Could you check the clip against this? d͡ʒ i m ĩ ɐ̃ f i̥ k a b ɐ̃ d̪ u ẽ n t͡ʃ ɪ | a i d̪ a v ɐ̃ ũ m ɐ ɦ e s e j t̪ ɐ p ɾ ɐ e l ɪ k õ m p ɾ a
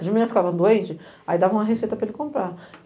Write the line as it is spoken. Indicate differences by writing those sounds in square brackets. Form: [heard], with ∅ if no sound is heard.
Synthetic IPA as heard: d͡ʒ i m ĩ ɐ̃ f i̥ k a [v] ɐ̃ d̪ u ẽ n t͡ʃ ɪ | a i d̪ a v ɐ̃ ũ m ɐ ɦ e s e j t̪ ɐ p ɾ ɐ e l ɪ k õ m p ɾ a